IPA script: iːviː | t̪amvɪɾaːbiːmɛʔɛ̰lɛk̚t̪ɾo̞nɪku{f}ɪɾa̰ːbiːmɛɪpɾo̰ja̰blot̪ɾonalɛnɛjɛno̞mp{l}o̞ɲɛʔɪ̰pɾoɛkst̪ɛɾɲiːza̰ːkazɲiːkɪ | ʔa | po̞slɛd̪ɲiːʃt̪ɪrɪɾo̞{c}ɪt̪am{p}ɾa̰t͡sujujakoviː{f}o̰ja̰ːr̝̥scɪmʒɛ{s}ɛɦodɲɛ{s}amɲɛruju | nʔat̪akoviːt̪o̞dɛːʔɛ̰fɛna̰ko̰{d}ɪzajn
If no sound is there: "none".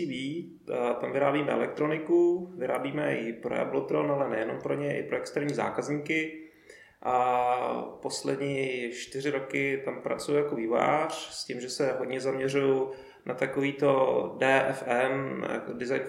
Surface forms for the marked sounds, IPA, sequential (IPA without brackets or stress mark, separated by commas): v, ɾ, k, p, v, s, z, d